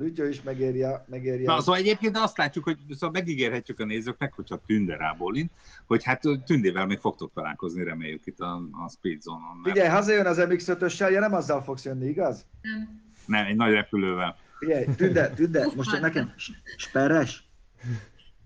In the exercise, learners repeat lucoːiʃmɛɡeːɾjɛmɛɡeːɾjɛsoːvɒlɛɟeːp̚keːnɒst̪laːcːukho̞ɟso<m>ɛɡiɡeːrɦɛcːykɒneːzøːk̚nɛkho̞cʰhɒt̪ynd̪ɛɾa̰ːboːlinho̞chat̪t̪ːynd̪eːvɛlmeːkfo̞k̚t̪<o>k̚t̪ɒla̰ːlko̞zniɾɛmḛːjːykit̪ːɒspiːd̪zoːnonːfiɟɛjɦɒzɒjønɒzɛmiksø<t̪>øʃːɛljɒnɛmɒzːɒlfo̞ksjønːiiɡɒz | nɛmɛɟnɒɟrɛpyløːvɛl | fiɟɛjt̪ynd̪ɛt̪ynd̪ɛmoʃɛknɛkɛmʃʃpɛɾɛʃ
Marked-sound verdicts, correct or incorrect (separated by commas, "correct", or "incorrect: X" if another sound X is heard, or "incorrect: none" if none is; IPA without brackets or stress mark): correct, correct, correct